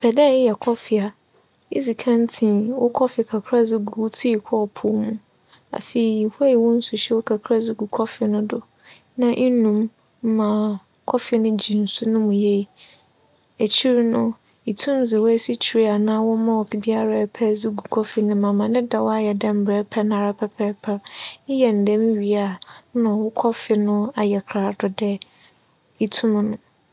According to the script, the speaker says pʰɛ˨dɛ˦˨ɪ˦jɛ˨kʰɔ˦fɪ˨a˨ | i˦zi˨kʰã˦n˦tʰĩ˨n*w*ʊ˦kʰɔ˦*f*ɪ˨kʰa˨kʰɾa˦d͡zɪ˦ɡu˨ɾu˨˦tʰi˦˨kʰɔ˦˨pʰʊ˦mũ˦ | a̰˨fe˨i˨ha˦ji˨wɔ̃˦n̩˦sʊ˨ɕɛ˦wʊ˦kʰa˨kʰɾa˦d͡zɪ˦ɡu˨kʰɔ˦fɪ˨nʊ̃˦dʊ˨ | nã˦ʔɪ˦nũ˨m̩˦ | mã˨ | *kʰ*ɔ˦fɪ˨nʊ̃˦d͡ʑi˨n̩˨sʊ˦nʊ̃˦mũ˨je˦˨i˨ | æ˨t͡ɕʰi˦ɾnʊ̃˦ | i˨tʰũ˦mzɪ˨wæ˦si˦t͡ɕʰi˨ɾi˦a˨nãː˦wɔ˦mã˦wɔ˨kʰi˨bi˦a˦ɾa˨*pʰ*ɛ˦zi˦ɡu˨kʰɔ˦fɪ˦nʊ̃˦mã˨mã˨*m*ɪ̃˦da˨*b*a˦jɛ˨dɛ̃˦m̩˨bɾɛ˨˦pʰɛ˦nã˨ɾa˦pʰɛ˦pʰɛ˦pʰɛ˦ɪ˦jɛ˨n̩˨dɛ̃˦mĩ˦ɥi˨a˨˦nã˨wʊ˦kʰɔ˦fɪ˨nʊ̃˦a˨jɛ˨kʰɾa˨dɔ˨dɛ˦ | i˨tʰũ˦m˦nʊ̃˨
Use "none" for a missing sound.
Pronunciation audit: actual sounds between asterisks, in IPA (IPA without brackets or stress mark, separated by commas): w, f, kʰ, pʰ, n, w